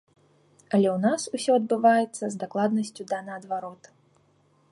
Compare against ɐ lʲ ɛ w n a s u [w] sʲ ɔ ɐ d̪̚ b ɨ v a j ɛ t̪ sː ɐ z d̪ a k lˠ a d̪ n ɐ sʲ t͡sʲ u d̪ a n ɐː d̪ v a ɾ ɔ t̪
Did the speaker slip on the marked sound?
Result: yes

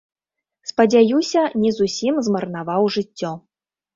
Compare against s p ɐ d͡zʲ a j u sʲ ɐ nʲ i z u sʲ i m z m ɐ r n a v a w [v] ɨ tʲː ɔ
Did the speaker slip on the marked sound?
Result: yes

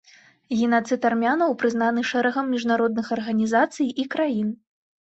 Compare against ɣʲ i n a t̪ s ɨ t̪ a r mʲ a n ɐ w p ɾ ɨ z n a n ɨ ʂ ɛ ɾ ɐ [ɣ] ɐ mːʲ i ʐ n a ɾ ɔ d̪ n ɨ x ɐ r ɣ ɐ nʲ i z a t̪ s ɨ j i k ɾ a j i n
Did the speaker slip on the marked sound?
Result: no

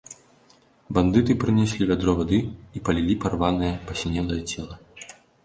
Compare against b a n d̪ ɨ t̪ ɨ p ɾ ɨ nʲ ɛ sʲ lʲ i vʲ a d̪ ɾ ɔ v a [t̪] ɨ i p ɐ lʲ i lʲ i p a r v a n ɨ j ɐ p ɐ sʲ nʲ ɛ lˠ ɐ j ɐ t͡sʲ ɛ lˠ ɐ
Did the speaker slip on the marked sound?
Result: yes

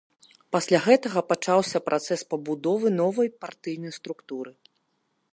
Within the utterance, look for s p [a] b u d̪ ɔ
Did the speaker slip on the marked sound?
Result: yes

